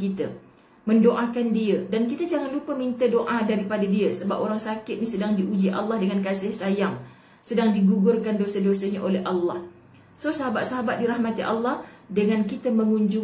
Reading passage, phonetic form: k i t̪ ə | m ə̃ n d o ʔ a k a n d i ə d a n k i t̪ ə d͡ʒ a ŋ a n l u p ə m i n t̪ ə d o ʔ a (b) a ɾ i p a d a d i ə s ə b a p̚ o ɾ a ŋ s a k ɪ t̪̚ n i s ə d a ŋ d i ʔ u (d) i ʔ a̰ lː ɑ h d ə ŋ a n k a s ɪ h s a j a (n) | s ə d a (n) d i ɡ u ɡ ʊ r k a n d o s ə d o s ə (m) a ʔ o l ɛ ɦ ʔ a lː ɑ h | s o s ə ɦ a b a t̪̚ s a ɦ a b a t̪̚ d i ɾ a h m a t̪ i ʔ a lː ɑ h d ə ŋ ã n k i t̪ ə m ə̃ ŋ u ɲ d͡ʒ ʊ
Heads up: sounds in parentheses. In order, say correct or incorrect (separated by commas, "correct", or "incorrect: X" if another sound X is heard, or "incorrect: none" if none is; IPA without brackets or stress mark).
incorrect: d, incorrect: d͡ʒ, incorrect: ŋ, incorrect: ŋ, incorrect: ɲ